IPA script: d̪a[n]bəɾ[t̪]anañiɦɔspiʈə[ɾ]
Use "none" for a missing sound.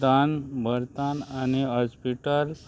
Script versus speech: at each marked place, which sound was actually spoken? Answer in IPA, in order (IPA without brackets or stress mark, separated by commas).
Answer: n, t̪, l